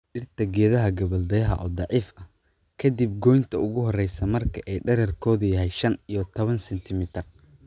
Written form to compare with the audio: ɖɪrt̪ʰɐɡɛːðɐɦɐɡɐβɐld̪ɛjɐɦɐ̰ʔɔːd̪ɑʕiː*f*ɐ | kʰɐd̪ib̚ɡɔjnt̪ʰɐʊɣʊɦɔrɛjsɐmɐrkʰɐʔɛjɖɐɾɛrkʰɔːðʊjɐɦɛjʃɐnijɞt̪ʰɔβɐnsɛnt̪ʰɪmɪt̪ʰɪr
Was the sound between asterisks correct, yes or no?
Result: yes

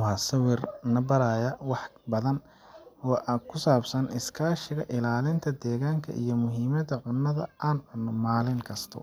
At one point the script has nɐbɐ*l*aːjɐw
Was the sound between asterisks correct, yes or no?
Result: no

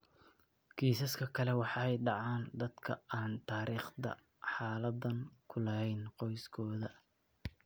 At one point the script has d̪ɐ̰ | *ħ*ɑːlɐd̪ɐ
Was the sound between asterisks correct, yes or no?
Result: yes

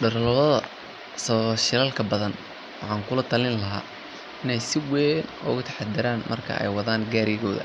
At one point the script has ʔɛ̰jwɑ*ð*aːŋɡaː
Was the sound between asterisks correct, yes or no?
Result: yes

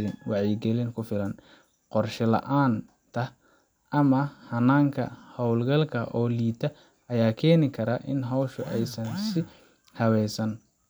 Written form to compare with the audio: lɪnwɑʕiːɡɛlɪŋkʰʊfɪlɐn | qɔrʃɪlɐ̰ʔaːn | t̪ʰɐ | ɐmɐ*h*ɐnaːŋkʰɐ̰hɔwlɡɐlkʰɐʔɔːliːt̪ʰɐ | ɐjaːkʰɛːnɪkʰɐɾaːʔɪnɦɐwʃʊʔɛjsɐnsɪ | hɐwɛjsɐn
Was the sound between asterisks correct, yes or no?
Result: yes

